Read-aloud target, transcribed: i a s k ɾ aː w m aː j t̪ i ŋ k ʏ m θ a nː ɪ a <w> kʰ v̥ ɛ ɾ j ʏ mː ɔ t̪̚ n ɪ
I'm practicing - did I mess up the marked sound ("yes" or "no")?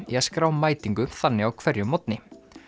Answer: no